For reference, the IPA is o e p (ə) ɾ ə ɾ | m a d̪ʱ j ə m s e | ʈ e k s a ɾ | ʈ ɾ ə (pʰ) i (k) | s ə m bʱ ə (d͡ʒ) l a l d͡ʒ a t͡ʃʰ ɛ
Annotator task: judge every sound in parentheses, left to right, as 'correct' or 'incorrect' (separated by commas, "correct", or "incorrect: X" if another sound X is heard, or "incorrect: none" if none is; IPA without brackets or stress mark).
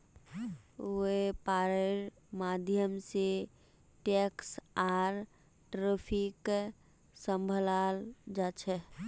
incorrect: a, correct, correct, incorrect: none